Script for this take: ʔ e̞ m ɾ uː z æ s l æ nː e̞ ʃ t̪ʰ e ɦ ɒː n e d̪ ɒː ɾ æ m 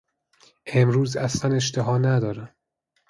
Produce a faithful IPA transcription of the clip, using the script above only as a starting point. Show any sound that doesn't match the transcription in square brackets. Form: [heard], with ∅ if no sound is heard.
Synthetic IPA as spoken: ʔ e̞ m ɾ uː z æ s l æ [n] e̞ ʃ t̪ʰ e ɦ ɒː n [æ] d̪ ɒː ɾ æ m